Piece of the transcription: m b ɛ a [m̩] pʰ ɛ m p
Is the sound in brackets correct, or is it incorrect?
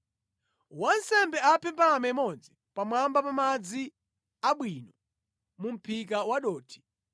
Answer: incorrect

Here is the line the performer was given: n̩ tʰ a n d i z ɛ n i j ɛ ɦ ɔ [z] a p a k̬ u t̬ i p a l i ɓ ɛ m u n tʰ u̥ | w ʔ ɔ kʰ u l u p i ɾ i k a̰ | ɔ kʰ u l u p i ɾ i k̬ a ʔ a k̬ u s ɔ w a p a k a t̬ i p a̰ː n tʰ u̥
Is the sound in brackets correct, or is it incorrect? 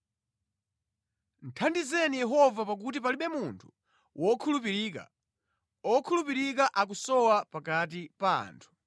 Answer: incorrect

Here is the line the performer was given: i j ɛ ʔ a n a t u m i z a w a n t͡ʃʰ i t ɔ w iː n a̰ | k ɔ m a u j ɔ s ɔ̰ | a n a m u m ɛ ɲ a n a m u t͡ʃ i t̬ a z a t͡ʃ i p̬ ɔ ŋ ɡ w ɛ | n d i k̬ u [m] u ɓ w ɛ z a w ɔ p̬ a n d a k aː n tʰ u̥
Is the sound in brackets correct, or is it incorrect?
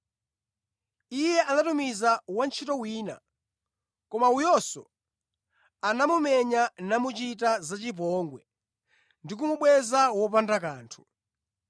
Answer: correct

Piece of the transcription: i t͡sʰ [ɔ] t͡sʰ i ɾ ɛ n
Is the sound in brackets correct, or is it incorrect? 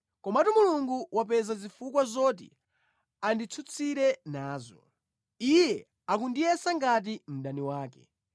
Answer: incorrect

